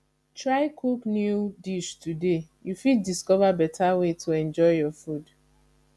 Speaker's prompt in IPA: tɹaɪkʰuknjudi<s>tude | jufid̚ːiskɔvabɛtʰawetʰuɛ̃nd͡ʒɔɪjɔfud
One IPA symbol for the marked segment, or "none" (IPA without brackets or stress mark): ʃ